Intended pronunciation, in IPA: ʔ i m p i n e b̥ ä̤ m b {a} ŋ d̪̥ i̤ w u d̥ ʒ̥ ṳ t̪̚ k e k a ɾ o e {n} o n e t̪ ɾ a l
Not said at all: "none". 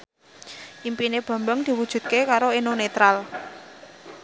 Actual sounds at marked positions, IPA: ə, n

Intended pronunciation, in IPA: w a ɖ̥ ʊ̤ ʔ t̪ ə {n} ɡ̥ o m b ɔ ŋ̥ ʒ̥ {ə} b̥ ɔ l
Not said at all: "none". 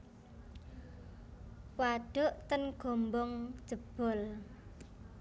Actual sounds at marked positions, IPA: n, ə

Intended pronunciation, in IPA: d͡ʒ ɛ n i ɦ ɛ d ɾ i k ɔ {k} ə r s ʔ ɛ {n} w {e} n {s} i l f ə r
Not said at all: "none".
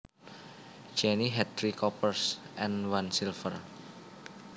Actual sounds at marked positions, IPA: p, n, a, s

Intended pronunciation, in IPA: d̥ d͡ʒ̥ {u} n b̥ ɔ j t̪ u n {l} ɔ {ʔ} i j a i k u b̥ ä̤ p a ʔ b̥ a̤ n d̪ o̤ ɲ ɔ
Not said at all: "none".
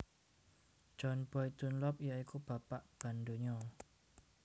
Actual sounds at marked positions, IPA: ɔ, l, p

